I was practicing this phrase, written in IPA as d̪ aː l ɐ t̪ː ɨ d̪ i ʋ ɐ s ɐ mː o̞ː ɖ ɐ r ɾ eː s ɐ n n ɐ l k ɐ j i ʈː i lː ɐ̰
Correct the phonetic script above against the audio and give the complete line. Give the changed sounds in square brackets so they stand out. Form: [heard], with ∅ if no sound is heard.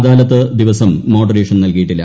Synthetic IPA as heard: d̪ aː l ɐ t̪ː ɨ d̪ i ʋ ɐ s ɐ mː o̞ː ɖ ɐ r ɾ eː [ʂ] ɐ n n ɐ l k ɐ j i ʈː i lː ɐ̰